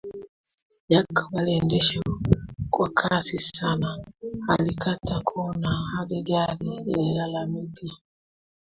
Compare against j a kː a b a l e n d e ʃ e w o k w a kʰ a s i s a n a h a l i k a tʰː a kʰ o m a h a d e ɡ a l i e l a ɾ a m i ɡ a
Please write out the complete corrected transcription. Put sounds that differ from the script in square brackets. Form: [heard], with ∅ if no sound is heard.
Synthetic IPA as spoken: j a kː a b a l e n d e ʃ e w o k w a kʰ a s i s a n a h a l i k a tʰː a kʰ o [n] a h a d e ɡ a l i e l a [l] a m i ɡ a